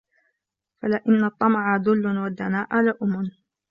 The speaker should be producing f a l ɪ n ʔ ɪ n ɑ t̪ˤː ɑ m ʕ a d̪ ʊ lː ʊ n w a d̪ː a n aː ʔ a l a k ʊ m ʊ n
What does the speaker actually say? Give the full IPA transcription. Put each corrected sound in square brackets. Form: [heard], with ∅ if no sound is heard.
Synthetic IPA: f a l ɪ [∅] ʔ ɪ [nː] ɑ t̪ˤː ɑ m ʕ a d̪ ʊ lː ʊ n w a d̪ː a n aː ʔ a l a [ʔ] ʊ m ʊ n

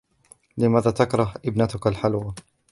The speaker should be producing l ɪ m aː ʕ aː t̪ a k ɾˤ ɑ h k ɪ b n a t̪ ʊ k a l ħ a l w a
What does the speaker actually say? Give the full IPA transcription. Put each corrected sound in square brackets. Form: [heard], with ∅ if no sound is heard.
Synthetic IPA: l ɪ m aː [ð] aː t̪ a k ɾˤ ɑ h [ʔ] ɪ b n a t̪ ʊ k a l ħ a l w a

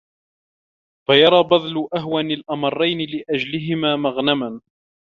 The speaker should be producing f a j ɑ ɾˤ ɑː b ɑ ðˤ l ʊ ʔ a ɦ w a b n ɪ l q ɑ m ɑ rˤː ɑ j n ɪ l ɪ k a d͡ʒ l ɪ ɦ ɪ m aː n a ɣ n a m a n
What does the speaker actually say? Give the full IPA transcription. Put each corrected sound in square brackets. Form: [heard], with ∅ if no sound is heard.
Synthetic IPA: f a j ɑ ɾˤ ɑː b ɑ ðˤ l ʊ ʔ a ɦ w a [∅] n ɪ l [ʔ] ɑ m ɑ rˤː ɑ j n ɪ l ɪ [ʔ] a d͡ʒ l ɪ ɦ ɪ m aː [m] a ɣ n a m a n

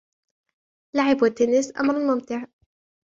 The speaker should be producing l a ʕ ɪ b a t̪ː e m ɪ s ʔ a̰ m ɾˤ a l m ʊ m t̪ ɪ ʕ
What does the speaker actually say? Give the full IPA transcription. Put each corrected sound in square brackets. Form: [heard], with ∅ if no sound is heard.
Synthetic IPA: l a ʕ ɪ b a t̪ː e [n] ɪ s ʔ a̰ m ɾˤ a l m ʊ m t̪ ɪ ʕ

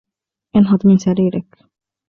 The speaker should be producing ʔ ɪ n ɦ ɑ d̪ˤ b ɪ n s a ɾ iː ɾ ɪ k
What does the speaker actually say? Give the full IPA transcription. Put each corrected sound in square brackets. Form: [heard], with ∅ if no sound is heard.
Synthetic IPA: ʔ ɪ n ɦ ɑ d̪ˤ [m] ɪ n s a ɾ iː ɾ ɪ k

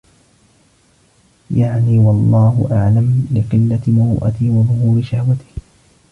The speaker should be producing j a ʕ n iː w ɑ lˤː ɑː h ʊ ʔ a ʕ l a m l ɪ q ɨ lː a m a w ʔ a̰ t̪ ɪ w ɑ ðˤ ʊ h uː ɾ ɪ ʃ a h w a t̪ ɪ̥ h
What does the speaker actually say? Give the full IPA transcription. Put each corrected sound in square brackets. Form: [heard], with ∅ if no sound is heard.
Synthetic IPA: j a ʕ n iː w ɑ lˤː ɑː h ʊ ʔ a ʕ l a m l ɪ q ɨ lː a m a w ʔ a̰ t̪ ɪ w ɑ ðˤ ʊ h uː ɾ ɪ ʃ a h w a t̪ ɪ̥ h

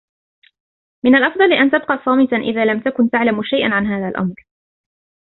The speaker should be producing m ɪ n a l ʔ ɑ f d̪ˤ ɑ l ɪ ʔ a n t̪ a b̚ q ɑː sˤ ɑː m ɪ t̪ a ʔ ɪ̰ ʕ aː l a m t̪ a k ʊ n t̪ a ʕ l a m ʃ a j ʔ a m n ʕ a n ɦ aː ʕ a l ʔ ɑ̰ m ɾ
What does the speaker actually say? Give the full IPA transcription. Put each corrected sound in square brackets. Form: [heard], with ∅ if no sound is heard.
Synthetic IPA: m ɪ n a l ʔ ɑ f d̪ˤ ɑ l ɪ ʔ a n t̪ a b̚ q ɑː sˤ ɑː m ɪ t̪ a ʔ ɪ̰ [ð] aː l a m t̪ a k ʊ n t̪ a ʕ l a m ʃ a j ʔ a [∅] n ʕ a n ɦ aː [ð] a l ʔ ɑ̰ m ɾ

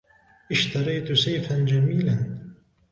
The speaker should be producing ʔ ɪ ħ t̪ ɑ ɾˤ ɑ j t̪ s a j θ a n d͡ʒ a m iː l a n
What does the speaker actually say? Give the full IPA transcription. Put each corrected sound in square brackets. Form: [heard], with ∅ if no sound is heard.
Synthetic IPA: ʔ ɪ [ʃ] t̪ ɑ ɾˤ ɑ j t̪ s a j [f] a n d͡ʒ a m iː l a n

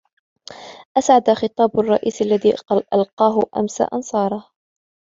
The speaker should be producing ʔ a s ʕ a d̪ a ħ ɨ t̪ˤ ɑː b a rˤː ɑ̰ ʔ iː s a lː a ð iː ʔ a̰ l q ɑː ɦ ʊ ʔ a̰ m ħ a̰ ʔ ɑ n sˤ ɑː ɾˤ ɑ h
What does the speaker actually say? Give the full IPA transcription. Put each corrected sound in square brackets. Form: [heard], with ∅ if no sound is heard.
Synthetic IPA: ʔ a s ʕ a d̪ a [x] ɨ t̪ˤ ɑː b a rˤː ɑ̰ ʔ iː s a lː a ð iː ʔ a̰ l q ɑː ɦ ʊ ʔ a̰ m [s] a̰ ʔ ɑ n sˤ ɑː ɾˤ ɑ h

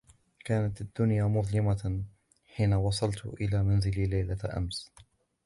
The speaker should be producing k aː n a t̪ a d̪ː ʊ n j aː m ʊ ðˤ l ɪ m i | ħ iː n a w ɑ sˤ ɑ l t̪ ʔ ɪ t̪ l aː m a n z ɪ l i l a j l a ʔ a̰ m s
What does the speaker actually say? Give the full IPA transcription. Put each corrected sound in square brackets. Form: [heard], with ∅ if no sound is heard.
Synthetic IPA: k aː n a t̪ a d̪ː ʊ n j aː m ʊ ðˤ l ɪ m [a] | ħ iː n a w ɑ sˤ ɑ l t̪ ʔ ɪ [∅] l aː m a n z ɪ l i l a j l a ʔ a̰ m s

